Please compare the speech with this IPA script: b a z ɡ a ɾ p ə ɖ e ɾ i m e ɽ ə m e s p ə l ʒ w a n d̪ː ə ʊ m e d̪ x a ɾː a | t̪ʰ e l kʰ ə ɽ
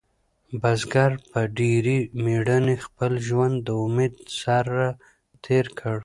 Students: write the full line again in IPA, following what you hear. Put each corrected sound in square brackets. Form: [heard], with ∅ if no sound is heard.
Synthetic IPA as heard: b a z ɡ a ɾ p ə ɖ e ɾ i m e ɽ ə [n] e [x] p ə l ʒ w a n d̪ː ə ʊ m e d̪ [s] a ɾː a | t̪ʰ e [ɾ] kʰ ə ɽ